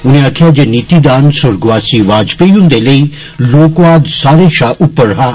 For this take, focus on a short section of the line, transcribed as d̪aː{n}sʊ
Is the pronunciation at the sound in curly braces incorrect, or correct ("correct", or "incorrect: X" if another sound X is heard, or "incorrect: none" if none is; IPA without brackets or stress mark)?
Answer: correct